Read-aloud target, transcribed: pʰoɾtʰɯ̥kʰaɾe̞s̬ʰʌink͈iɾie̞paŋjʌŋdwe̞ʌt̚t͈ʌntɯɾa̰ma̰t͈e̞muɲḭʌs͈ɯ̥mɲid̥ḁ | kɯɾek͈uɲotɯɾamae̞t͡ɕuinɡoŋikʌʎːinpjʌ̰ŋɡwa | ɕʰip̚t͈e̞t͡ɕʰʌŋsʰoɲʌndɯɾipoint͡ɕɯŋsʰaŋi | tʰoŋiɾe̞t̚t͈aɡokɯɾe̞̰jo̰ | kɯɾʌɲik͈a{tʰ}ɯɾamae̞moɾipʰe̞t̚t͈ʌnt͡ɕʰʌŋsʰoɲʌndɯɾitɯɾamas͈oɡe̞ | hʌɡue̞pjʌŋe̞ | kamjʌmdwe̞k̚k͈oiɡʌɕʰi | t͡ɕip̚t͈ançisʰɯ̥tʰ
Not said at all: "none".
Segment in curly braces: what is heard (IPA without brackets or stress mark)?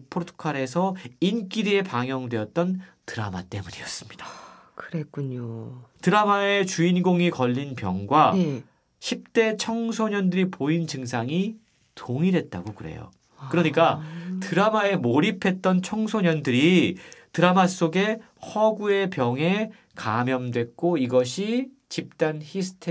t